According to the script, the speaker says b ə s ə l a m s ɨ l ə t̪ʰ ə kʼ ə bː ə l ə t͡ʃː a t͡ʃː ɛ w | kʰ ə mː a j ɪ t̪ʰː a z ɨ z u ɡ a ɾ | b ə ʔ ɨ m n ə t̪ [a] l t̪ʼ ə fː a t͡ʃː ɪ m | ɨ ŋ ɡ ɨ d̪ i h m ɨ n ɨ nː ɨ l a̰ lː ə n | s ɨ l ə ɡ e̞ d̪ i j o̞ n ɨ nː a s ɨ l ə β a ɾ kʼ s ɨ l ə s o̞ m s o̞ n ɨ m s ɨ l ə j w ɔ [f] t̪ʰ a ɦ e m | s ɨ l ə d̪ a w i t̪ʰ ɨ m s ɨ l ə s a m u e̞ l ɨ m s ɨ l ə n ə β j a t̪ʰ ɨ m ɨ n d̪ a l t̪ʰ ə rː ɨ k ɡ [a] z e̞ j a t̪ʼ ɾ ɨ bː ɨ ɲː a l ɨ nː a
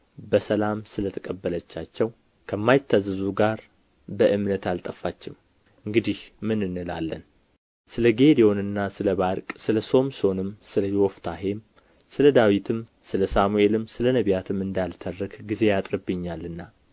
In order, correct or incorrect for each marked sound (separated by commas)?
correct, correct, incorrect